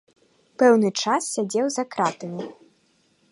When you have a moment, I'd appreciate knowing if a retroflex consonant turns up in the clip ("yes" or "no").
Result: yes